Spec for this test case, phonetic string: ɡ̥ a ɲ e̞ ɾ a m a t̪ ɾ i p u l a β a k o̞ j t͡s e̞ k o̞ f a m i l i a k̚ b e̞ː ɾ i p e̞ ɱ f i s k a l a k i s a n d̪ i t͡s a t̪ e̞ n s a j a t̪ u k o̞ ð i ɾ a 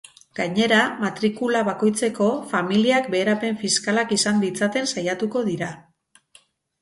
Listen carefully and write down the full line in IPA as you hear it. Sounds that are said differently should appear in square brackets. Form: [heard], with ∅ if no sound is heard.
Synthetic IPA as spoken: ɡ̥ a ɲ e̞ ɾ a m a t̪ ɾ i [k] u l a β a k o̞ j t͡s e̞ k o̞ f a m i l i a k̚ b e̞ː ɾ [a] p e̞ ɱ f i s k a l a k i s a n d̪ i t͡s a t̪ e̞ n s a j a t̪ u k o̞ ð i ɾ a